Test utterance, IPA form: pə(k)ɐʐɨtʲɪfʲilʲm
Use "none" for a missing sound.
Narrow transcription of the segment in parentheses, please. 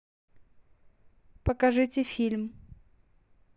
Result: k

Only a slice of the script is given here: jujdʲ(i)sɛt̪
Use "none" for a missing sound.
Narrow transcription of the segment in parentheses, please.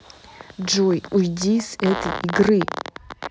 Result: i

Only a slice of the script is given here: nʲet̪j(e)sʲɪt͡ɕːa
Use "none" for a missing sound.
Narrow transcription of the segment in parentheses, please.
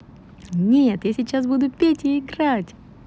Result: a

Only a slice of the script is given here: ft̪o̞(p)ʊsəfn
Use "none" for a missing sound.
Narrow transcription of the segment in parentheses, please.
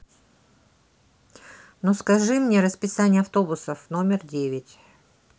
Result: b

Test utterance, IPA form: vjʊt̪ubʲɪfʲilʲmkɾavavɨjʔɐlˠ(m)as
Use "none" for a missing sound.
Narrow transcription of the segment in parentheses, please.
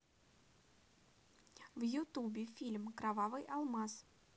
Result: m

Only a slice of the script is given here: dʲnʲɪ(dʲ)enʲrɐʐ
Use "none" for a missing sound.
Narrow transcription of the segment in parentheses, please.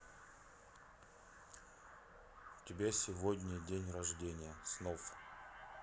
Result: dʲ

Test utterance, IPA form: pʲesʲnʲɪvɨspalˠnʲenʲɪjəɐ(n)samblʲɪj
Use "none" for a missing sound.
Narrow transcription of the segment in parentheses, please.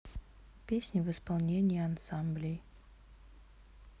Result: n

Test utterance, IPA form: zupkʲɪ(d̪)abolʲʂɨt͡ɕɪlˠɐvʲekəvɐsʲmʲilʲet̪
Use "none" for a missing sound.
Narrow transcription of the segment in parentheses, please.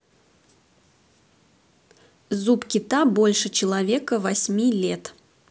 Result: t̪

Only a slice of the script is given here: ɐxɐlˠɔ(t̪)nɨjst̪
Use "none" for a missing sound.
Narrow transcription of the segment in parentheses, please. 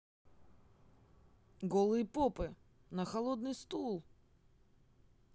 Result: d̪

